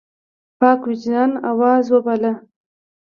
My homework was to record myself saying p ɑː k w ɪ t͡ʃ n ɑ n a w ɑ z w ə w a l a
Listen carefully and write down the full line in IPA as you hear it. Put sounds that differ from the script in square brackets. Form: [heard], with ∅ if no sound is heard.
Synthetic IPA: p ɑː k w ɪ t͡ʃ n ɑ n a w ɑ z w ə [b] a l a